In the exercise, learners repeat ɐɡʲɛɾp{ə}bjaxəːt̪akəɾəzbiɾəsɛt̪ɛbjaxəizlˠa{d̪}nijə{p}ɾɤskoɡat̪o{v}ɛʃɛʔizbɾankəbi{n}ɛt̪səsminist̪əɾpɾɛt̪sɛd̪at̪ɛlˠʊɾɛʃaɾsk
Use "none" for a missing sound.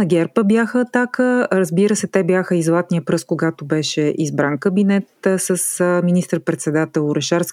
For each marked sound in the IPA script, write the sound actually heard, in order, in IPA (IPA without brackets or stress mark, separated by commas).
ə, t̪, p, b, n